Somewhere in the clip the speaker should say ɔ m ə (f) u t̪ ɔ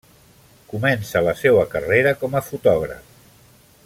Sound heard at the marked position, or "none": f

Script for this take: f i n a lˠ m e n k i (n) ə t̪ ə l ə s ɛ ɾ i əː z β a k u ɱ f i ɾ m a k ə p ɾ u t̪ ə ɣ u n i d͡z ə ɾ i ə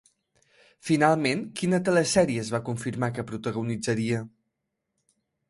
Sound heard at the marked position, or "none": n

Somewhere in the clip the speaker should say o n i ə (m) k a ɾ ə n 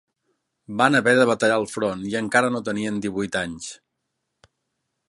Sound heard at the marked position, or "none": ŋ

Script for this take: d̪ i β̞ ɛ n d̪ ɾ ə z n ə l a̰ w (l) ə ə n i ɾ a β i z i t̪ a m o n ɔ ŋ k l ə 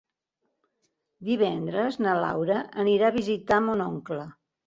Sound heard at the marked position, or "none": ɾ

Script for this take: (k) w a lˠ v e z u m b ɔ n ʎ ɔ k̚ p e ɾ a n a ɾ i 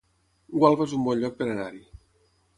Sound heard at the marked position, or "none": ɡ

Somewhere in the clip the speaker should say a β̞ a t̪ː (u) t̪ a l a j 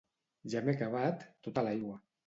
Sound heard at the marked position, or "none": o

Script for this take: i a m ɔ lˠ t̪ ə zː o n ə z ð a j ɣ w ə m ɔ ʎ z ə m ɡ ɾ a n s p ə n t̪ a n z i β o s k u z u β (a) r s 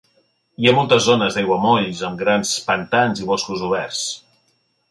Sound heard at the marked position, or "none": ɛ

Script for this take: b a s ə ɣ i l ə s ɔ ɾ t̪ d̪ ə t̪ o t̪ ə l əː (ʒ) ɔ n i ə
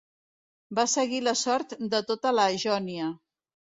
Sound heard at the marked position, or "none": ʒ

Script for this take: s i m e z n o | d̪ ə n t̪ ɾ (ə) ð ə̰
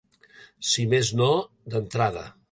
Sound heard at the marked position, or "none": a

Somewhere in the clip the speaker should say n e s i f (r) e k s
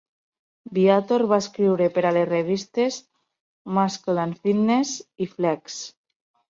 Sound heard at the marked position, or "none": l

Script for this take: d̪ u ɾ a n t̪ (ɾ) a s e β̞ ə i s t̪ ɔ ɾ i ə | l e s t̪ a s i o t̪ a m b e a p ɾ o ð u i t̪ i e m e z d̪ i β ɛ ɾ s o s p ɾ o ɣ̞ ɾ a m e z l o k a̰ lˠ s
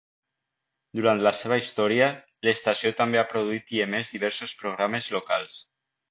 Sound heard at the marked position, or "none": l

